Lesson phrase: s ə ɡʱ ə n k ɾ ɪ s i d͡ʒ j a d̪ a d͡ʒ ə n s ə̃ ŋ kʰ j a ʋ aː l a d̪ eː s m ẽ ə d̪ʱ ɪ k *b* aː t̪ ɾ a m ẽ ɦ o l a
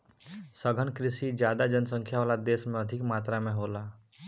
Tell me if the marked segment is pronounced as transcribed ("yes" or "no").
no